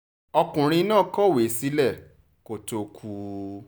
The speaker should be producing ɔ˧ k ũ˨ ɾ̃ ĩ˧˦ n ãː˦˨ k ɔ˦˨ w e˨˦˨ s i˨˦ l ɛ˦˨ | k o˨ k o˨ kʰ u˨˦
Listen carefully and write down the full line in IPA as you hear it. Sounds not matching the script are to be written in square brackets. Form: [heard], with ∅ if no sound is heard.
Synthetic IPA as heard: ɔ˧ k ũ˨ ɾ̃ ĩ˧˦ n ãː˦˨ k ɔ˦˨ w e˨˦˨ s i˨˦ l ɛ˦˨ | k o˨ [t] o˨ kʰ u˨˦